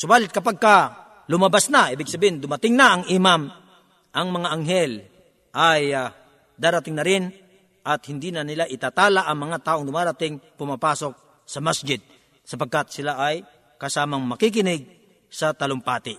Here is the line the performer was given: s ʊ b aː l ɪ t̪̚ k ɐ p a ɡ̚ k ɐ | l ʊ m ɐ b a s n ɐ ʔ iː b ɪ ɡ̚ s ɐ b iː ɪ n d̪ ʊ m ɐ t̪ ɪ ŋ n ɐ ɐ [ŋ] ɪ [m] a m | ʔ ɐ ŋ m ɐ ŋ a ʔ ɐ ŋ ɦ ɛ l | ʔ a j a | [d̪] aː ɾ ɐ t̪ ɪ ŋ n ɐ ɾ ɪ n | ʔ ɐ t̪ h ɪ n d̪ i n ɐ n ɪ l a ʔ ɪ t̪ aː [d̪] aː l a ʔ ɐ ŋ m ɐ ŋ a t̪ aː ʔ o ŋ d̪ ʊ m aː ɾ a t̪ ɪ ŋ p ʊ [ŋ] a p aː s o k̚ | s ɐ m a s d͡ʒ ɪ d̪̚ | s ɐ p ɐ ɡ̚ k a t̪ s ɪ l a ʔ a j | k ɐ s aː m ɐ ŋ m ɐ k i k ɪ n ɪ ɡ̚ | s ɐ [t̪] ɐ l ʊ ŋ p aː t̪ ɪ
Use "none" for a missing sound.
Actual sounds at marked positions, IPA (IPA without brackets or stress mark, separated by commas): ŋ, m, d̪, t̪, m, t̪